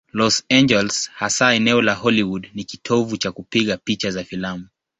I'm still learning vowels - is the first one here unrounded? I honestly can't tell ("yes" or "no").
no